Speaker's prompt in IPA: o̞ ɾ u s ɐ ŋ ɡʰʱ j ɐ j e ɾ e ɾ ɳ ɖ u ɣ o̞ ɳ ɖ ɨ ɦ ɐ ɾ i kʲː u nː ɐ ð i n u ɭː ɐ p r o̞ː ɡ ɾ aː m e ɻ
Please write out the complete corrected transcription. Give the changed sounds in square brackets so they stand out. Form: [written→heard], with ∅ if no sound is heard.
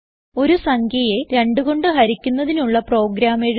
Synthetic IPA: o̞ ɾ u s ɐ ŋ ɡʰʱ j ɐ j e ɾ e [ɾ→∅] ɳ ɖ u ɣ o̞ ɳ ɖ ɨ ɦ ɐ ɾ i kʲː u nː ɐ ð i n u ɭː ɐ p r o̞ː ɡ ɾ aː m e ɻ